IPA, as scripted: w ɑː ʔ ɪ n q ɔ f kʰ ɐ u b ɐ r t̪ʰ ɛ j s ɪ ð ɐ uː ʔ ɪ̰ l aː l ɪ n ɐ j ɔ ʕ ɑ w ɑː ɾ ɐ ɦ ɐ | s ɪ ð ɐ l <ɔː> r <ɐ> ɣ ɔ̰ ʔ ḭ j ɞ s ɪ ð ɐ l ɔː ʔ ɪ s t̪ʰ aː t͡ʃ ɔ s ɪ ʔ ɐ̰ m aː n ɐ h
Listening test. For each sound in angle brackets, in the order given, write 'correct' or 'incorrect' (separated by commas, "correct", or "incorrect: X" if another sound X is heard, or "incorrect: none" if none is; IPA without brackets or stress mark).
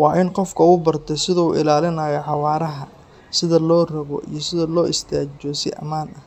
correct, correct